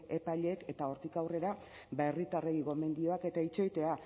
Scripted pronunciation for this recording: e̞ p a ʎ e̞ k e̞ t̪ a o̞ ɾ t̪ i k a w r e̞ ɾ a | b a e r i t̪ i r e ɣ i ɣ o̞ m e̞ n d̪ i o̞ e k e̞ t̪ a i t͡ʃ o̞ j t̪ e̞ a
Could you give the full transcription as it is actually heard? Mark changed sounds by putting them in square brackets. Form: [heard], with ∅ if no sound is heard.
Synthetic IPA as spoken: e̞ p a ʎ e̞ k e̞ t̪ a o̞ ɾ t̪ i k a w r e̞ ɾ a | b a e r i t̪ [a] r e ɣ i ɣ o̞ m e̞ n d̪ i o̞ [a] k e̞ t̪ a i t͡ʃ o̞ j t̪ e̞ a